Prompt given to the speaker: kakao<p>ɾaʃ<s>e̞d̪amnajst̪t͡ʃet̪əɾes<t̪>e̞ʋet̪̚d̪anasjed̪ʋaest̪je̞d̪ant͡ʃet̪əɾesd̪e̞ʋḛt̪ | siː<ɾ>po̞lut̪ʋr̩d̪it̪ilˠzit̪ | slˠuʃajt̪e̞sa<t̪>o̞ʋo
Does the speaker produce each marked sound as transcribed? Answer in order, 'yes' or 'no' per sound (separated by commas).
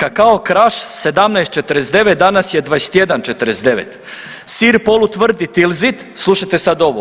no, yes, no, yes, no